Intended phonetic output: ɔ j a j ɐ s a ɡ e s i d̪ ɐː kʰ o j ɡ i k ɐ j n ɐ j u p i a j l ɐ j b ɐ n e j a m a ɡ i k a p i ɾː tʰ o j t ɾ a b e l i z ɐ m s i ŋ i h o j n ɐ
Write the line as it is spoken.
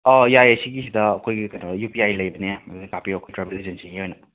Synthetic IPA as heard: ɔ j a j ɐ s i ɡ i s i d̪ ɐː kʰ o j ɡ i k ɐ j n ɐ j u p i a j l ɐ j b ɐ n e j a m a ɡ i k a p i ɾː kʰ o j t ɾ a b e l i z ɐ n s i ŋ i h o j n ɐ

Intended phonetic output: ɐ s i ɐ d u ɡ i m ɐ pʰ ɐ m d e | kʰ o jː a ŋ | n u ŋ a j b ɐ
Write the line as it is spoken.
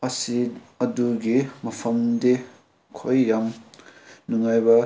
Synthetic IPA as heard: ɐ s i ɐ d u ɡ i m ɐ pʰ ɐ m d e | kʰ o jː a m | n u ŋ a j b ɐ

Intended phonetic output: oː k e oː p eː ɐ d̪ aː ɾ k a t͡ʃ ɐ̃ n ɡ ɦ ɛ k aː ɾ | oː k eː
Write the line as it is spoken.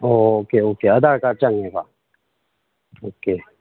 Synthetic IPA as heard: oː k e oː k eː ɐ d̪ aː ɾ k a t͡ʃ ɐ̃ ŋ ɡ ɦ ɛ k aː | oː k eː

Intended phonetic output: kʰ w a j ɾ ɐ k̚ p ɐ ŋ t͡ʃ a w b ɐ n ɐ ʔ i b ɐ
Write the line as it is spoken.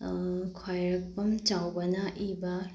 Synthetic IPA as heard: kʰ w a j ɾ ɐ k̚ p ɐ m t͡ʃ a w b ɐ n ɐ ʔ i b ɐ

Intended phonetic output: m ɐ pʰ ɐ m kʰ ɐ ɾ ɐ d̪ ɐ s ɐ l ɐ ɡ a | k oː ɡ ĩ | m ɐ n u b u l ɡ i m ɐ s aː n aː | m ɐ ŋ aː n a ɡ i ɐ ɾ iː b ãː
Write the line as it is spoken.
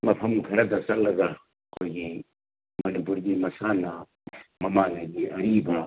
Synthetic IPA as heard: m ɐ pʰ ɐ m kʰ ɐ ɾ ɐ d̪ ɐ s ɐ l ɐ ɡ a | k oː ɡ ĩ | m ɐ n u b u ɾ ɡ i m ɐ s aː n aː | m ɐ m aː n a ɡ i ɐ ɾ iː b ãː

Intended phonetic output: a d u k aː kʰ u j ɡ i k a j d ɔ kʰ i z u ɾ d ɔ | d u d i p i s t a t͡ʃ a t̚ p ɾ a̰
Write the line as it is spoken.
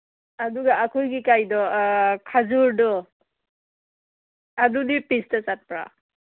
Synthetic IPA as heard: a d u ɡ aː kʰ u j ɡ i k a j d ɔ kʰ a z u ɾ d ɔ | d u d i p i s t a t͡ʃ a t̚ p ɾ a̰

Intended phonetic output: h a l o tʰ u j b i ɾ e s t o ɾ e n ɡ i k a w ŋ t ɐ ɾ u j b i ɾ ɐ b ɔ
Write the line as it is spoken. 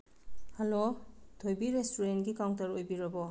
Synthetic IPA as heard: h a l o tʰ o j b i ɾ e s t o ɾ e n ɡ i k a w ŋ t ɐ ɾ o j b i ɾ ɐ b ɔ

